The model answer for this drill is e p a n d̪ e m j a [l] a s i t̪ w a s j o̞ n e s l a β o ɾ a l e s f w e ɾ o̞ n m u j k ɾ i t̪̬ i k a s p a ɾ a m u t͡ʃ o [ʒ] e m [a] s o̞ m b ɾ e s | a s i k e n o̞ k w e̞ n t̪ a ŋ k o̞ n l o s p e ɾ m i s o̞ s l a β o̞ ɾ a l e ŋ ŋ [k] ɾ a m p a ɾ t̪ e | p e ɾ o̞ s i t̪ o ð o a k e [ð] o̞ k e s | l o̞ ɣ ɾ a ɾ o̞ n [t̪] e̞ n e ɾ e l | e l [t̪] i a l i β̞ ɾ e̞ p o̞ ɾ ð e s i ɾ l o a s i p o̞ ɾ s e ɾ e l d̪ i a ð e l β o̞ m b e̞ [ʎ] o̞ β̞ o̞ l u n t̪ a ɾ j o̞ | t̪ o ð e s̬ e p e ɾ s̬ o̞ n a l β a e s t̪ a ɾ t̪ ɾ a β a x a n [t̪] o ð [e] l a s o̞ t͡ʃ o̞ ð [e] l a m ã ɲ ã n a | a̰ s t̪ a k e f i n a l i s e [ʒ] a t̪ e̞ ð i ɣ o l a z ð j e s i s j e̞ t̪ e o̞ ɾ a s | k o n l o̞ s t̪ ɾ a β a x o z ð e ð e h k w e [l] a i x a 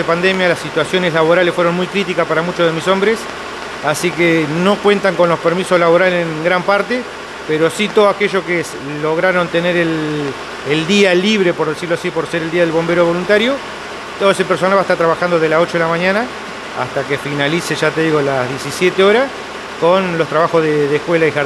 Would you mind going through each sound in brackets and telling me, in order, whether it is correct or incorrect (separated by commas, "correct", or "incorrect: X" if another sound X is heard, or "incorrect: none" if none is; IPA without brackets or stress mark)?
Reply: correct, incorrect: ð, incorrect: i, incorrect: ɡ, incorrect: ʒ, correct, incorrect: d̪, incorrect: ɾ, incorrect: d̪, correct, correct, correct, correct